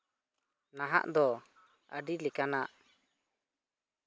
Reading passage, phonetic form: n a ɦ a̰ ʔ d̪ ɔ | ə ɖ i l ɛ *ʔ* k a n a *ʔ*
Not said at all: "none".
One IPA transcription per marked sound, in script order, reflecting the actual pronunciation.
none, ʔ

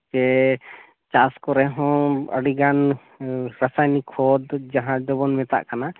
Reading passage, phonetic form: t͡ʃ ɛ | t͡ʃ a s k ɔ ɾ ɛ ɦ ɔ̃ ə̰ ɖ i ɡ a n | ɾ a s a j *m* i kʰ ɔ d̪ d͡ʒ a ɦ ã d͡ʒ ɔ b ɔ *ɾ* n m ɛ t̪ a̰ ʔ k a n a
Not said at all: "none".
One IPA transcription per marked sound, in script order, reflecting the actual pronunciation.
n, none

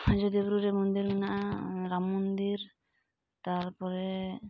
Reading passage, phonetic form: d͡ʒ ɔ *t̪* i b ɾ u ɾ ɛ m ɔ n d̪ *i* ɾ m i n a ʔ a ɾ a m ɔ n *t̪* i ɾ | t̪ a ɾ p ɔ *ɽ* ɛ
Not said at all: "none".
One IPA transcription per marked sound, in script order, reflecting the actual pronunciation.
d̪, i, d̪, ɾ

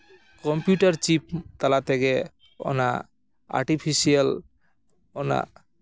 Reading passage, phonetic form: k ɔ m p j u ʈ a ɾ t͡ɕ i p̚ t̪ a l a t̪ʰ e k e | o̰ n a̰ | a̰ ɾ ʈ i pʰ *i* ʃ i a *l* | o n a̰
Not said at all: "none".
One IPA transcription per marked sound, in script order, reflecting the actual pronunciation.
i, l

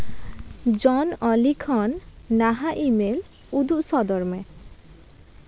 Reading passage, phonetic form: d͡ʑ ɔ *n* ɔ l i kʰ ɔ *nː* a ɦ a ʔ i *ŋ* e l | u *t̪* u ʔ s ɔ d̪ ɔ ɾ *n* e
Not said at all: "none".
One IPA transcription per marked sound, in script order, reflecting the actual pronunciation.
n, nː, m, d̪, m

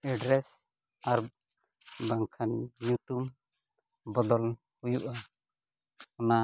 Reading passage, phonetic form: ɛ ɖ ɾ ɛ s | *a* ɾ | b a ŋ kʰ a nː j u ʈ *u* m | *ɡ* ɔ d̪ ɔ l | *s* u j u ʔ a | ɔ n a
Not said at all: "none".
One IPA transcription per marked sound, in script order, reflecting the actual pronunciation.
a, u, b, h

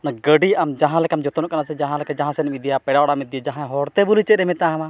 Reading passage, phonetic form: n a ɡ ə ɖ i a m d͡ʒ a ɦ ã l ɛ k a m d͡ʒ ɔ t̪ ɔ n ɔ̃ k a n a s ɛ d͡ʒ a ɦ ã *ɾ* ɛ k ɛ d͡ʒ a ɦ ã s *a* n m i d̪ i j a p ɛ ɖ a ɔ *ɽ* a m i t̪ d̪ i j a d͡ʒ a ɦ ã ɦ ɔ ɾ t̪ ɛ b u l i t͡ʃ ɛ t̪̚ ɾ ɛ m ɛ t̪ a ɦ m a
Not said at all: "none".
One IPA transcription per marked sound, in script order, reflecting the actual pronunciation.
l, ɛ, ɽ

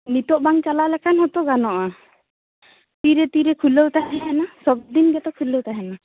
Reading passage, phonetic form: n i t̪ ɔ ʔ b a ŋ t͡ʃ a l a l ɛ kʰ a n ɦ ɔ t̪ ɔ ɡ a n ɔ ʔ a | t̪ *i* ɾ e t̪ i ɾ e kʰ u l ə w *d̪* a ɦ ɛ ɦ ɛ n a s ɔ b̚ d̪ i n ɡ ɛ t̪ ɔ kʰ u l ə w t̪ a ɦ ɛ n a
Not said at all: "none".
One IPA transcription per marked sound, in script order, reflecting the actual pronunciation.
i, t̪

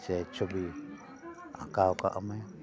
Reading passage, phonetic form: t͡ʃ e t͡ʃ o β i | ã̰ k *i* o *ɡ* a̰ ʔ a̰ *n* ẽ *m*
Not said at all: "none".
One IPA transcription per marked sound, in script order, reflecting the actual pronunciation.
a, k, m, none

